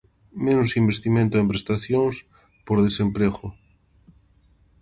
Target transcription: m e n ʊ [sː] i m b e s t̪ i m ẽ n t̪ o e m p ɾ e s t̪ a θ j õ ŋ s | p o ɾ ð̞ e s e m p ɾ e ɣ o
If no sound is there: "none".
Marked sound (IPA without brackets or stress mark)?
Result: s